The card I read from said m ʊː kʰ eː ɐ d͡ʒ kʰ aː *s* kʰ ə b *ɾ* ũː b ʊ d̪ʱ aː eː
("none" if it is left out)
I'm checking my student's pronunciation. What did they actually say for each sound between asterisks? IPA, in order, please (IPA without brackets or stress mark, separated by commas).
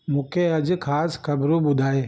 s, ɾ